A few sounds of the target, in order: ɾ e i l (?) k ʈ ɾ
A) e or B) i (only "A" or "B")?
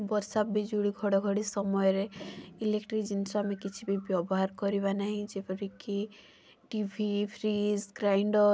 A